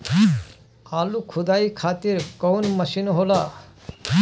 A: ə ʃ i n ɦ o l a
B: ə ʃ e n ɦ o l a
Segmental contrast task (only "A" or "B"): A